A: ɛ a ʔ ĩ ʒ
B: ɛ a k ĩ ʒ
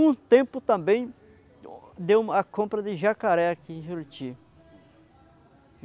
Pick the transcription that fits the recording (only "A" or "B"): B